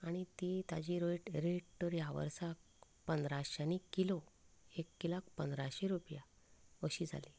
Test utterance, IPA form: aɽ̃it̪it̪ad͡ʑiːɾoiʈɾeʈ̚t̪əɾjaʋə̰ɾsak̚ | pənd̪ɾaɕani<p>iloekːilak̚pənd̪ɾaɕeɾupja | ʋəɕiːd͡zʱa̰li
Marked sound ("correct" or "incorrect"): incorrect